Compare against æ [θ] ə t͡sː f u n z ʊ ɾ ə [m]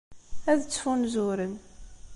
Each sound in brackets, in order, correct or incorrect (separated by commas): incorrect, incorrect